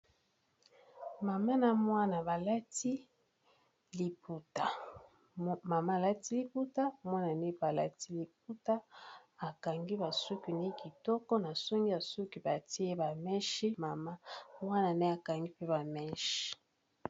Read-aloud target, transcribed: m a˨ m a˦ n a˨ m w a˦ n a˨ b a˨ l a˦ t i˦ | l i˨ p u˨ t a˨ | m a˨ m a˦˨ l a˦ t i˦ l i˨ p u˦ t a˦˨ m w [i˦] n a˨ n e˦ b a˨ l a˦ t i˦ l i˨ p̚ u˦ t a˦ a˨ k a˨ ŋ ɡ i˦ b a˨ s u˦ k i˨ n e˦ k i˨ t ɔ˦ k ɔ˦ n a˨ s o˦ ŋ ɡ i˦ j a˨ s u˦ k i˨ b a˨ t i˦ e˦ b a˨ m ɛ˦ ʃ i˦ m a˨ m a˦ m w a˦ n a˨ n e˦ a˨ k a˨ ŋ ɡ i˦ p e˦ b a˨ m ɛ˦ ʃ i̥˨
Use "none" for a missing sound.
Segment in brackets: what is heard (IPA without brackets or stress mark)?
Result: a˦